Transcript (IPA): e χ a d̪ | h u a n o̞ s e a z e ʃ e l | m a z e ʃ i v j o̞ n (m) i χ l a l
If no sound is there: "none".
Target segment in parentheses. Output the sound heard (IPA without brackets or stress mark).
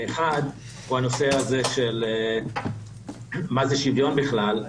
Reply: b